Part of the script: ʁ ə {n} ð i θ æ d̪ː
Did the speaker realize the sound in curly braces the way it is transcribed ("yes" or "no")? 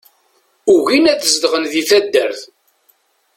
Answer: yes